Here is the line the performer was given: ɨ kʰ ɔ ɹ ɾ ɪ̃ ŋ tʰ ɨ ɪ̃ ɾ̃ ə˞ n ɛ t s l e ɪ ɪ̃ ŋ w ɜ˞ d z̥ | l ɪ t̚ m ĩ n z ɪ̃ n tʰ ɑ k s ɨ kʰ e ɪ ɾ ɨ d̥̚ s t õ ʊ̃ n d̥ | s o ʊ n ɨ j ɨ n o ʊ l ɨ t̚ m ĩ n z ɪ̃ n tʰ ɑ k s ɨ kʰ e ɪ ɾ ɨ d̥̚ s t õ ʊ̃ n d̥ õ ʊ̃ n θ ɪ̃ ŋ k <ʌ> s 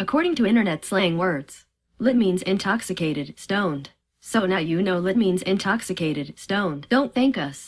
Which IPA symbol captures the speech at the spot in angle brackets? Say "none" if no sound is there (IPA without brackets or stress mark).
ʌ